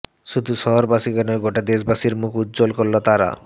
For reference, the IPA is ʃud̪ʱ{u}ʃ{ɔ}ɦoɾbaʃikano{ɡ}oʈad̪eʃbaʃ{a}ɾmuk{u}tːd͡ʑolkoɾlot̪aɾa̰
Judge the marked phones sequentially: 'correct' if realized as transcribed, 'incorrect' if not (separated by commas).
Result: correct, correct, correct, incorrect, correct